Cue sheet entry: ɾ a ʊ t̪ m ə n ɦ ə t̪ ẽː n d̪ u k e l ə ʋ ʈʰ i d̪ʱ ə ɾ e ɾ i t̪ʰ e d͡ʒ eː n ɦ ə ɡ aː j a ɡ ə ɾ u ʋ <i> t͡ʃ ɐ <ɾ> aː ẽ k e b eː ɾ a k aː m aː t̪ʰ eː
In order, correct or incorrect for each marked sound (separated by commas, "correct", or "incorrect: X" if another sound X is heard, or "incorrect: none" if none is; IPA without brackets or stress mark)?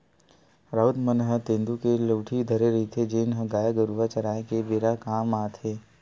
incorrect: a, correct